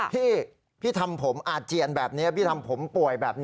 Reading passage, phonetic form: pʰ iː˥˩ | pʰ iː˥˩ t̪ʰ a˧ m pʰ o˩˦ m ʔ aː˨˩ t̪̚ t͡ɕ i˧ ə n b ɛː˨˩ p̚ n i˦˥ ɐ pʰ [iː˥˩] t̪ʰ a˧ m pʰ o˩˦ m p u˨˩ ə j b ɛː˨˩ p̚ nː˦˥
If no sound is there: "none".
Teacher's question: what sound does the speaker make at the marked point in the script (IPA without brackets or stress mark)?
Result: iː˥˩